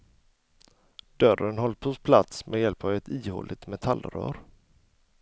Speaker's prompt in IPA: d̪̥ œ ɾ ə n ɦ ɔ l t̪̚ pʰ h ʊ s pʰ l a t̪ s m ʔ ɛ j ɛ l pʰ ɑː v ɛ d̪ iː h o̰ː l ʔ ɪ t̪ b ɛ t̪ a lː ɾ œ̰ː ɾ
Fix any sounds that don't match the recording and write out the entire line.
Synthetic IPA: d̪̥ œ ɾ ə n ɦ ɔ l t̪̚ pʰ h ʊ s pʰ l a t̪ s m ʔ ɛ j ɛ l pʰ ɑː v ɛ t̪ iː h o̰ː l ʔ ɪ t̪ m ɛ t̪ʰ a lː ɾ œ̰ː ɾ

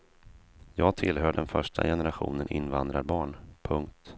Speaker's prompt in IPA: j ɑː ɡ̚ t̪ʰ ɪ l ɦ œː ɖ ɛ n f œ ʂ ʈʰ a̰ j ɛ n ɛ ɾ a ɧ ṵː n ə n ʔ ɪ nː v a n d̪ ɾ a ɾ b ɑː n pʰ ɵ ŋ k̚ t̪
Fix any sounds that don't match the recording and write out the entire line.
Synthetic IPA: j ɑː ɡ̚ t̪ʰ ɪ l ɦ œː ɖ ɛ n f œ ʂ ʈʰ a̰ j ɛ n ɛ ɾ a ɧ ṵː n ə n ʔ ɪ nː v a n d̪ ɾ a ɾ b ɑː ɳ pʰ ɵ ŋ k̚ t̪

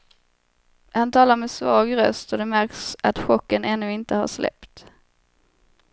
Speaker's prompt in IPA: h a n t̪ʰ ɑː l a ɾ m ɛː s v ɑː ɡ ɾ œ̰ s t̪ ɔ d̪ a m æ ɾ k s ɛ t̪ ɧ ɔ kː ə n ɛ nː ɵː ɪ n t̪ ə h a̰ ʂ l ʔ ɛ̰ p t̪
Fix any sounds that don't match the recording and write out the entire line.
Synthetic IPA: h a n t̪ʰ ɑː l a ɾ m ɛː s v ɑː ɡ ɾ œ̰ s t̪ ɔ d̪ ɛ m æ ɾ k s a t̪ ɧ ɔ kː ə n ɛ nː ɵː ɪ n t̪ ə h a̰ ʂ l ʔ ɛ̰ p t̪

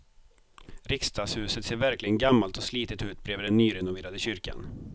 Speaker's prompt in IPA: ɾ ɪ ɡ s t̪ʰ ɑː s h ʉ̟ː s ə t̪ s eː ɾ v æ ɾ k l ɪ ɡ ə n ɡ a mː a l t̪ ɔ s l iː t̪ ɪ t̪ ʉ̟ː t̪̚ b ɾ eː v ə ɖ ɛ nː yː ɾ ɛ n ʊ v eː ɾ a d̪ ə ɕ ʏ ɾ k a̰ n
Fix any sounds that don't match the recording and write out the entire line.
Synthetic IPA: ɾ ɪ k s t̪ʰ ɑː s h ʉ̟ː s ə t̪ s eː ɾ v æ ɾ k l ɪ ɡ ə n ɡ a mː a l t̪ ɔ s l iː t̪ ɪ t̪ ʉ̟ː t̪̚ b ɾ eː v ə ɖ ɛ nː yː ɾ ɛ n ʊ v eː ɾ a d̪ ə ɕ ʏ ɾ k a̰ n

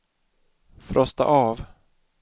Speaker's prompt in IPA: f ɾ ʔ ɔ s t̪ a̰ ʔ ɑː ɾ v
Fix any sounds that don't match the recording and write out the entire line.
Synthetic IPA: f ɾ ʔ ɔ s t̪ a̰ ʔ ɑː v

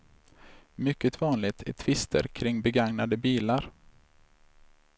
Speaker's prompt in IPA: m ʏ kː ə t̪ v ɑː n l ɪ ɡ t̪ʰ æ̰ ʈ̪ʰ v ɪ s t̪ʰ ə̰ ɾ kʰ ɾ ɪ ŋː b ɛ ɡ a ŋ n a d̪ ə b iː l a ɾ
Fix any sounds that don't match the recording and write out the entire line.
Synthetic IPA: m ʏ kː ə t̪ v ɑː n l ɪ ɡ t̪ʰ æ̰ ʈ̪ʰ v ɪ s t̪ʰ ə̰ ɾ kʰ ɾ ɪ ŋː b ɛ ɡ a ŋ n a d̪ ə b iː l a ɾ

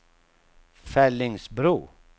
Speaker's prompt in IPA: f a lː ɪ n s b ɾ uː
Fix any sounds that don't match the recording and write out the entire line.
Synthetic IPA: f ɛ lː ɪ ŋ s b ɾ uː

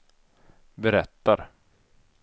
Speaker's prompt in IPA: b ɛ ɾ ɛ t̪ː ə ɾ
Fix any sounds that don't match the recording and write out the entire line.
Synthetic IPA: b ɛ ɾ ɛ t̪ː a ɾ

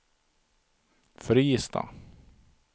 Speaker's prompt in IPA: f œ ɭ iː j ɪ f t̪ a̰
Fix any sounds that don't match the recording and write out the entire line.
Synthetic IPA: f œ ɾ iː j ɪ s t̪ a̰

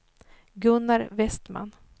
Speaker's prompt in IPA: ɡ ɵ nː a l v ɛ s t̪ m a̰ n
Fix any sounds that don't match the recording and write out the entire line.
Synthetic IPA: ɡ ɵ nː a ɾ v ɛ s t̪ m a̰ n

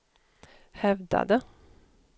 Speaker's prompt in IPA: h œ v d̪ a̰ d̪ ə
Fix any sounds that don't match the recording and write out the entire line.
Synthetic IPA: h ɛ v d̪ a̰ d̪ ə

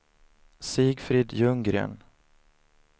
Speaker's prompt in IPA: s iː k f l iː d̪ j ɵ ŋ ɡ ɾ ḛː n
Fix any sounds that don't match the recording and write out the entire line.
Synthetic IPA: s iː ɡ f ɾ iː d̪ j ɵ ŋ ɡ ɾ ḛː n

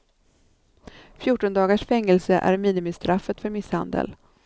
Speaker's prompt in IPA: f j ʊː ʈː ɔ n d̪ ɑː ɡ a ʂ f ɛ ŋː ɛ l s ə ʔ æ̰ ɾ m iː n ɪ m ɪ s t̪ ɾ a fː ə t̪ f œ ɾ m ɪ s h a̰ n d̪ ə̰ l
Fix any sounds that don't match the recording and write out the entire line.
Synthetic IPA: f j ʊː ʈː ɔ n d̪ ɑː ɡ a ʂ f ɛ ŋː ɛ l s ə ʔ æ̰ ɾ m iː n ɪ m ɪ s t̪ ɾ a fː ə t̪ f œ ɾ m ɪ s h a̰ n d̪ ə̰ l

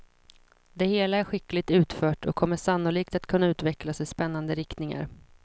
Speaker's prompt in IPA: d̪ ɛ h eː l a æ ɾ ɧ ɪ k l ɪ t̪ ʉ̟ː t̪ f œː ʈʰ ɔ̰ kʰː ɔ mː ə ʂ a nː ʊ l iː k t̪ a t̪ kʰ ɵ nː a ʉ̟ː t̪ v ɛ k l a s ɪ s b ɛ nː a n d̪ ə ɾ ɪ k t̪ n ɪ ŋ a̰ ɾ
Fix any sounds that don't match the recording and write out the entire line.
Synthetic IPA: d̪ ɛ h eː l a æ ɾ ɧ ɪ k l ɪ t̪ ʉ̟ː t̪ f œː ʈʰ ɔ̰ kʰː ɔ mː ə ʂ a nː ʊ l iː k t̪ a t̪ kʰ ɵ nː a ʉ̟ː t̪ v ɛ k l a s ɪ s p ɛ nː a n d̪ ə ɾ ɪ k t̪ n ɪ ŋ a̰ ɾ

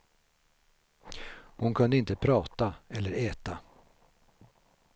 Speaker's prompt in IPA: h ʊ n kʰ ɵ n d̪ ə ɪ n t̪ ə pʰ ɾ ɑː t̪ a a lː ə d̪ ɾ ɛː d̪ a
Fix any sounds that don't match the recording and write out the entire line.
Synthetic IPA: h ʊ n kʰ ɵ n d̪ ə ɪ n t̪ ə pʰ ɾ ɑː t̪ a ɛ lː ə ɾ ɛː t̪ a

